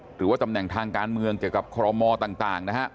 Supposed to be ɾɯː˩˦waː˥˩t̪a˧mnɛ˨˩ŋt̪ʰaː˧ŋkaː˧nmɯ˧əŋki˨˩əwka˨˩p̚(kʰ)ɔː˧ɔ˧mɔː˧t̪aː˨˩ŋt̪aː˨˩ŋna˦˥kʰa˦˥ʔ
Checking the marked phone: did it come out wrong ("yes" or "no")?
no